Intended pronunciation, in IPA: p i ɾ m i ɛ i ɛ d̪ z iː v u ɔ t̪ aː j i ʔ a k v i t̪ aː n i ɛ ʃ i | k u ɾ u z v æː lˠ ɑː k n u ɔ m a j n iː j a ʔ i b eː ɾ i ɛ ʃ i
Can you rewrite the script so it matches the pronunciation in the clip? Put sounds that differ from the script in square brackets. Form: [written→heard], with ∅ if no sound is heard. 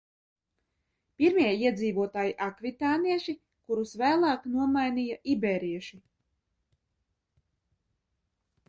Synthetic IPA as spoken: p i ɾ m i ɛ i ɛ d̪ z iː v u ɔ t̪ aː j i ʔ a k v i t̪ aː n i ɛ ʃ i | k u ɾ u [z→s] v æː lˠ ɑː k n u ɔ m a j n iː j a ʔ i b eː ɾ i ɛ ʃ i